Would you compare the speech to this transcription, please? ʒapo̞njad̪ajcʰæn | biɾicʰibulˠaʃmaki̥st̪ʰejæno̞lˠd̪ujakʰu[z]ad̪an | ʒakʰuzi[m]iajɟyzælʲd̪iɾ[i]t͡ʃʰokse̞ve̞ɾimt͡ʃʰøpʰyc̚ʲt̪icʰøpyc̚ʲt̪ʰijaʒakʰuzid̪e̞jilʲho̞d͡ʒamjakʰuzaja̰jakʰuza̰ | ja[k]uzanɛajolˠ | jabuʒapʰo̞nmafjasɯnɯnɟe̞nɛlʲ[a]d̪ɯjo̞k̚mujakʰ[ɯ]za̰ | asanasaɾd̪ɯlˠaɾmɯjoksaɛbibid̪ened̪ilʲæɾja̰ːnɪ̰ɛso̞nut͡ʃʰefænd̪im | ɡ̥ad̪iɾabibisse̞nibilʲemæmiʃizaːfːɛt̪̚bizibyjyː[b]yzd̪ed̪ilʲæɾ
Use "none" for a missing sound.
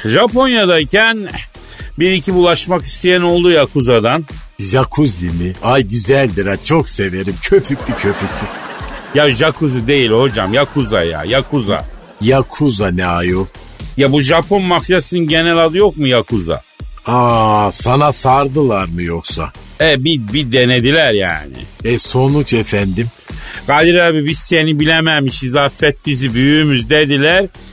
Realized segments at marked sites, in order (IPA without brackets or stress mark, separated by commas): z, m, a, kʰ, a, u, m